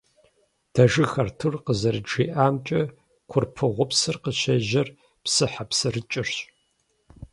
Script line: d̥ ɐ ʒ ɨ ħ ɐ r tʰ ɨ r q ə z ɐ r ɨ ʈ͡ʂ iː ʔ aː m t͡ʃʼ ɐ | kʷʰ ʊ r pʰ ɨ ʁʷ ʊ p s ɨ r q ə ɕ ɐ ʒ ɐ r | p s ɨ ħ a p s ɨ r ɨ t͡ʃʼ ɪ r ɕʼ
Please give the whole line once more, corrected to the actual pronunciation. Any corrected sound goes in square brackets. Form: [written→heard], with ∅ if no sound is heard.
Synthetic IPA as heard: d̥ ɐ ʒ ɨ [ħ→x] ɐ r tʰ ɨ r q ə z ɐ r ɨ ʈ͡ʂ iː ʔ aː m t͡ʃʼ ɐ | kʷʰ ʊ r pʰ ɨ ʁʷ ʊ p s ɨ r q ə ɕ ɐ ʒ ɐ r | p s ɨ ħ a p s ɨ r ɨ t͡ʃʼ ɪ r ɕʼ